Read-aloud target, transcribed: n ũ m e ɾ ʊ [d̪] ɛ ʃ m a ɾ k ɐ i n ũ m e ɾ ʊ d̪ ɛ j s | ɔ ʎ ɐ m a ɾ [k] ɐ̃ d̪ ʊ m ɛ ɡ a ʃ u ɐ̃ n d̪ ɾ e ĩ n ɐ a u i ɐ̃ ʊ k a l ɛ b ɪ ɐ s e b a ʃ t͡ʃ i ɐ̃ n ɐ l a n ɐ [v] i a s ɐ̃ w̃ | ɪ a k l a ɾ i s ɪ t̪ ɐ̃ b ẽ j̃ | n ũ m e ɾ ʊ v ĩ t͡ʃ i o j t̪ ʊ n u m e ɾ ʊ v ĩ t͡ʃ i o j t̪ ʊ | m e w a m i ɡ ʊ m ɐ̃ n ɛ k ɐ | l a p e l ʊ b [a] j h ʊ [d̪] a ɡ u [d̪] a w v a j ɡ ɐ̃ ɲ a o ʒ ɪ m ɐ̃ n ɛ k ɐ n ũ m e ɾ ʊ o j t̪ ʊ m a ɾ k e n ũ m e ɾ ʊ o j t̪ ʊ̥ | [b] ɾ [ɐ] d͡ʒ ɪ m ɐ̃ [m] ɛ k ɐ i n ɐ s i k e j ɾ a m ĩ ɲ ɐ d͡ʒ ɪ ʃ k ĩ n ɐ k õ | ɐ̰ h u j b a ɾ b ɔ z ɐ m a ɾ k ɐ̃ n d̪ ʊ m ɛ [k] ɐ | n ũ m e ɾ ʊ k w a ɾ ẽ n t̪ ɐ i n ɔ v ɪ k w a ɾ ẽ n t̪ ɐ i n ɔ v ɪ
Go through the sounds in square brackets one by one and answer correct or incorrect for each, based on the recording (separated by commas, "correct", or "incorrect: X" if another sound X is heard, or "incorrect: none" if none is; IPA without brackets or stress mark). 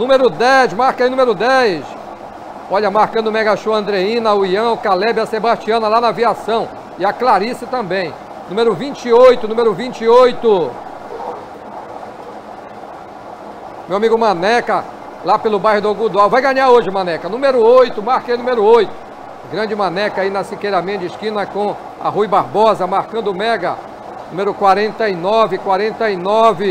correct, correct, correct, correct, correct, correct, incorrect: ɡ, incorrect: ɐ̃, incorrect: n, incorrect: ɡ